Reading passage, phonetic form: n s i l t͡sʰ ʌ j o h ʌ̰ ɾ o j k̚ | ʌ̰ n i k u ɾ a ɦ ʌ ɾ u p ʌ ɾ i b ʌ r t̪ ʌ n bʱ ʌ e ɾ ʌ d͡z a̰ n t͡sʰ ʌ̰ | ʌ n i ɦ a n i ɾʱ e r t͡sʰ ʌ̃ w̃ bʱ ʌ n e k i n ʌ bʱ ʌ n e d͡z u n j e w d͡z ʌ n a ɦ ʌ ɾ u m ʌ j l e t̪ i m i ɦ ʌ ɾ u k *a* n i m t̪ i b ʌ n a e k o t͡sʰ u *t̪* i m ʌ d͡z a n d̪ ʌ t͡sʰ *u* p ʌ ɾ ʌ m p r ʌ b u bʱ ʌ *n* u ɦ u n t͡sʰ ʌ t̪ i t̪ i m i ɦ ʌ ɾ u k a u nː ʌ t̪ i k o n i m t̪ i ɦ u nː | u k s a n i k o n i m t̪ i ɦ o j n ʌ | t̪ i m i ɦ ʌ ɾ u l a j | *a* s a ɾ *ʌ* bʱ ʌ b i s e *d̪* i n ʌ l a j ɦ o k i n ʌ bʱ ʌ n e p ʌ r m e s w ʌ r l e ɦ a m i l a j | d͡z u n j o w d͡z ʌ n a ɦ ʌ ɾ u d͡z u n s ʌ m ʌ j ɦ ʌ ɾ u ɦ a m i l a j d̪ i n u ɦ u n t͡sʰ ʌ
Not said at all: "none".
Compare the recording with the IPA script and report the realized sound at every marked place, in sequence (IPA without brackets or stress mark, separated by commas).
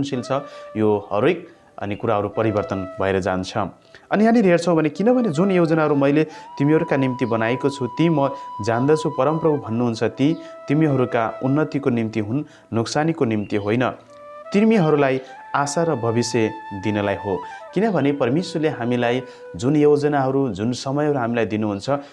a, t̪, u, nː, a, ʌ, d̪